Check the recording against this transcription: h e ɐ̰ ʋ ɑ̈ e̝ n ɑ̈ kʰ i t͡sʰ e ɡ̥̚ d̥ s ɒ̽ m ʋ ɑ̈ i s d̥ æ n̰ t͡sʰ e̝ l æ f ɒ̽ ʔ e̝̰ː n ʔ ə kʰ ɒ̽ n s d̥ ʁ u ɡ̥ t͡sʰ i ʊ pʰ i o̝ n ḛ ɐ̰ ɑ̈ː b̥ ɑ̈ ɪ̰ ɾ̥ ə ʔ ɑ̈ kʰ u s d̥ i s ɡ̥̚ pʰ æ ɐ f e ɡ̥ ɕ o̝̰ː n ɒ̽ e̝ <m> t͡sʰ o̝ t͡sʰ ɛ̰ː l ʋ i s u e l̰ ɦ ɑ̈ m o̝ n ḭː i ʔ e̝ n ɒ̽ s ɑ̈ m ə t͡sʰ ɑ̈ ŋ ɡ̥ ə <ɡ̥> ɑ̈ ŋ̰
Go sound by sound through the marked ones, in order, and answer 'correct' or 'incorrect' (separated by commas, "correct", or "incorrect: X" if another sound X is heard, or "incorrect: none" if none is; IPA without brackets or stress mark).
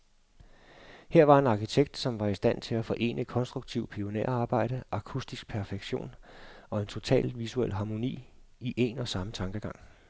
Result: incorrect: n, correct